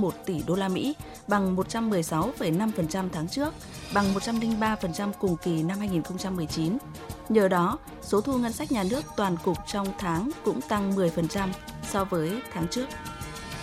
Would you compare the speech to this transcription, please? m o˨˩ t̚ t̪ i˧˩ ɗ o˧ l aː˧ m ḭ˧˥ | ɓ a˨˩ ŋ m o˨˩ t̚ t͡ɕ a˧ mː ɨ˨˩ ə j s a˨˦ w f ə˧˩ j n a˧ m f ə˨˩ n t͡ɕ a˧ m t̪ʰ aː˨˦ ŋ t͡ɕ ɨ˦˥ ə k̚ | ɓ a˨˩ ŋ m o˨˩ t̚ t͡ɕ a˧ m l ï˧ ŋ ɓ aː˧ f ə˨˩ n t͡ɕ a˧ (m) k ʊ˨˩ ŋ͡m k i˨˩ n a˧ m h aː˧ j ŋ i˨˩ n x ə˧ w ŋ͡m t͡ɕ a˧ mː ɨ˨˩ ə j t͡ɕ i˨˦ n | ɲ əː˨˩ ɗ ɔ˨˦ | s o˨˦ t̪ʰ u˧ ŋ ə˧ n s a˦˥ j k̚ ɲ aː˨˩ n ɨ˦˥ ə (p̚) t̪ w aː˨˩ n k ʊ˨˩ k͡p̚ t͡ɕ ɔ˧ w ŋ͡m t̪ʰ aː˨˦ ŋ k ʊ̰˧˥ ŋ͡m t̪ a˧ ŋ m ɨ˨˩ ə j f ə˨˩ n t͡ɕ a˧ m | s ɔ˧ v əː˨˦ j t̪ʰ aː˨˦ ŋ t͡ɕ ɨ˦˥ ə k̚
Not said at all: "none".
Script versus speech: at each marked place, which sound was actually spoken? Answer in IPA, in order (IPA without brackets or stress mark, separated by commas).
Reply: m, k̚